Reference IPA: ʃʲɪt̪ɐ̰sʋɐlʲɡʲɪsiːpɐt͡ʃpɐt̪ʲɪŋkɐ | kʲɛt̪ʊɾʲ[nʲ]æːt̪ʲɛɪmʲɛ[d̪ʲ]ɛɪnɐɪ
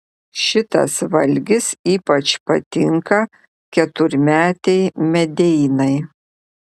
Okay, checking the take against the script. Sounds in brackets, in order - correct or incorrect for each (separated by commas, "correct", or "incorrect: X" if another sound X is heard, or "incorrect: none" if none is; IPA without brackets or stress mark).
incorrect: mʲ, correct